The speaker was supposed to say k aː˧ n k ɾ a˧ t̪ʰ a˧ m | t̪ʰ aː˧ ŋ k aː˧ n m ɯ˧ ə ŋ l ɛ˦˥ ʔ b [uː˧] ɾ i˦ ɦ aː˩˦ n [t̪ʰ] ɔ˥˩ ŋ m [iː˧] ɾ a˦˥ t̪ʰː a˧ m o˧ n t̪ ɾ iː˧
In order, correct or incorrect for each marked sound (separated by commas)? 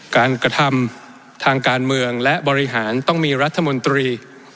incorrect, incorrect, correct